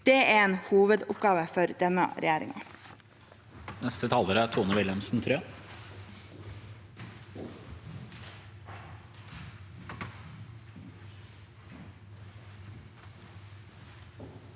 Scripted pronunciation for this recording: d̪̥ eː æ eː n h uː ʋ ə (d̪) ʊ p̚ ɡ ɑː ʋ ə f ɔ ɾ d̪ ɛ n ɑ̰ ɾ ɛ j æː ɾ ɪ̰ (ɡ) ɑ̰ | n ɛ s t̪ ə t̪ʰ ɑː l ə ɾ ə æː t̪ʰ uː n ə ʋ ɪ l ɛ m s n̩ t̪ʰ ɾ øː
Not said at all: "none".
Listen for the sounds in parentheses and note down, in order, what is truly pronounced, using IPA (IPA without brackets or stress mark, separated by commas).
d̪, ŋ